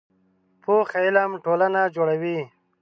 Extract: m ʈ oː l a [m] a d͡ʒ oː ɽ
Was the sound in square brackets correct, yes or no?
no